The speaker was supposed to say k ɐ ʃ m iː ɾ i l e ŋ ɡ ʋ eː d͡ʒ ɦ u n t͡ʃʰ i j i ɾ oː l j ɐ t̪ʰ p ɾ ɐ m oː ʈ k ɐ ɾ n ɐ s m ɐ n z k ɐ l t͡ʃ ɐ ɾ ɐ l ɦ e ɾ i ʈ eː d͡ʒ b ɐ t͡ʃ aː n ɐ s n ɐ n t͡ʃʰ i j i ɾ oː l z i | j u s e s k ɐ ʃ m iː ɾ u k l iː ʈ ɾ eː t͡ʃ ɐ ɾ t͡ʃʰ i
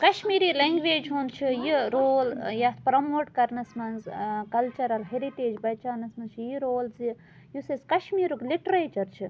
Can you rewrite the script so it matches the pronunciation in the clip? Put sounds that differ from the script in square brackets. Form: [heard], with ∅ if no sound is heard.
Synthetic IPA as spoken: k ɐ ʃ m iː ɾ i l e ŋ ɡ ʋ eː d͡ʒ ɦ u n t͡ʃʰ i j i ɾ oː l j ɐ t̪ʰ p ɾ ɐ m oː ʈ k ɐ ɾ n ɐ s m ɐ n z k ɐ l t͡ʃ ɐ ɾ ɐ l ɦ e ɾ i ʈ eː d͡ʒ b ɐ t͡ʃ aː n ɐ s [m] ɐ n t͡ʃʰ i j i ɾ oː l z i | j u s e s k ɐ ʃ m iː ɾ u k l [i] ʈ ɾ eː t͡ʃ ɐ ɾ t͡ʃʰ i